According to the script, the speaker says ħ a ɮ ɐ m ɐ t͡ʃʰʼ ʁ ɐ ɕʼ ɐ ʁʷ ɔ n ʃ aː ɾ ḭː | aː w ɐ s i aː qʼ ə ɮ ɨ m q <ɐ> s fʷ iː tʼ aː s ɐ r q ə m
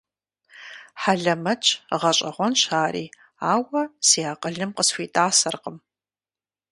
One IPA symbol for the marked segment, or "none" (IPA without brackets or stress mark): ə